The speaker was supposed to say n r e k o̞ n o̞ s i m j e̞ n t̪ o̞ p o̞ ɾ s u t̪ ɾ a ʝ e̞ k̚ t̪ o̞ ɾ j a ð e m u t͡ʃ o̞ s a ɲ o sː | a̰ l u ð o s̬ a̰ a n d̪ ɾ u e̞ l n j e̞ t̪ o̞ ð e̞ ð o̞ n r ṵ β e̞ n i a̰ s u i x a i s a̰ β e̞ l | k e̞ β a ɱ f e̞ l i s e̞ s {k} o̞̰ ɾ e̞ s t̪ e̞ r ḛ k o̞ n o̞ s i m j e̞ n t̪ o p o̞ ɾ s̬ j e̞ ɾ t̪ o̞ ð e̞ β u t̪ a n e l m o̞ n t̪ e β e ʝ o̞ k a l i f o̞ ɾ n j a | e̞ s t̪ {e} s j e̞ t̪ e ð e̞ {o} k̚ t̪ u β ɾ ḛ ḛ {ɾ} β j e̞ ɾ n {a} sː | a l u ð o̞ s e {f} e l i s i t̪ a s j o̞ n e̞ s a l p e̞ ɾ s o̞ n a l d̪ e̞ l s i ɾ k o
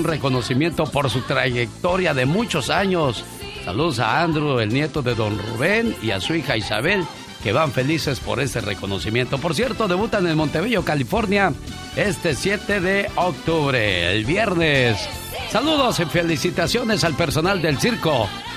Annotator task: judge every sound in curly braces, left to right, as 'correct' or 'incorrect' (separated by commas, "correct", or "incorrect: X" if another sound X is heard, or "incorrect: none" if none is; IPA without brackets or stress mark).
incorrect: p, correct, correct, incorrect: l, incorrect: e, correct